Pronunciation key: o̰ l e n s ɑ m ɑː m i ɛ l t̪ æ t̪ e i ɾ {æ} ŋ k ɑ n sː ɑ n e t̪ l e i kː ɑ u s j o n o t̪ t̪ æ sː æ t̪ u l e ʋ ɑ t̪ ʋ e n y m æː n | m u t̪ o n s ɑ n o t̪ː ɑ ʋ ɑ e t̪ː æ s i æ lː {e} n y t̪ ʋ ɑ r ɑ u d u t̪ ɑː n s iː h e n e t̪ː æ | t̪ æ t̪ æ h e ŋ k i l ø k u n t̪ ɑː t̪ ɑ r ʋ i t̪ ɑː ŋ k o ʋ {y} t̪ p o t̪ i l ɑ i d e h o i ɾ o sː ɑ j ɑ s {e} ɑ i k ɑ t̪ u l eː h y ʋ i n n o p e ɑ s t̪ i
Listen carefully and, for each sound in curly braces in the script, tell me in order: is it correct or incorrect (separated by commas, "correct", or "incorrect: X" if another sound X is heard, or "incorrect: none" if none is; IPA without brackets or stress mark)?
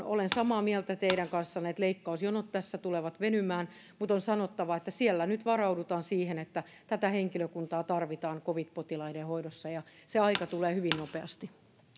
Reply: correct, incorrect: æ, incorrect: i, correct